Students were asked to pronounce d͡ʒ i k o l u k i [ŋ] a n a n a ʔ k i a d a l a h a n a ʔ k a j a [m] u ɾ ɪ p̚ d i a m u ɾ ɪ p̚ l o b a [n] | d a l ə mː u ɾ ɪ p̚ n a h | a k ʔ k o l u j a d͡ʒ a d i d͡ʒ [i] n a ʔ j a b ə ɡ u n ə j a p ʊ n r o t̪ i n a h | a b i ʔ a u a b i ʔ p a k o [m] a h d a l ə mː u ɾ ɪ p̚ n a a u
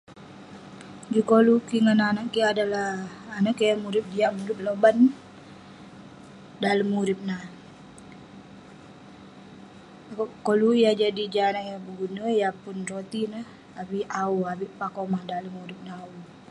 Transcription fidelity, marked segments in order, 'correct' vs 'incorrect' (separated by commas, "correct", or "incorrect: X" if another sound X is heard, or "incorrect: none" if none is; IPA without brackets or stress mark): correct, correct, correct, incorrect: a, correct